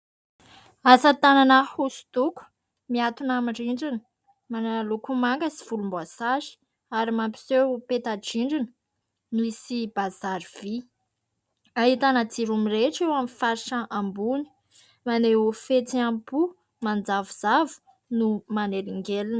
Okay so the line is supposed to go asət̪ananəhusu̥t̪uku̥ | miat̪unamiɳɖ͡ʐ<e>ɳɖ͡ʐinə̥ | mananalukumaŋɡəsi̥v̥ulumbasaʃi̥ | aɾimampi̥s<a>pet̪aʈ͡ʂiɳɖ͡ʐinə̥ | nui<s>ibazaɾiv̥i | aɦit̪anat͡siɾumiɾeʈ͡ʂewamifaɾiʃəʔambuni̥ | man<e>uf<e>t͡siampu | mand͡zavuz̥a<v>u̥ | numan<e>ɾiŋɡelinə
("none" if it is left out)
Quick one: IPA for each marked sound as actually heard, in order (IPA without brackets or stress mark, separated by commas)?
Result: i, e, s, e, e, v, e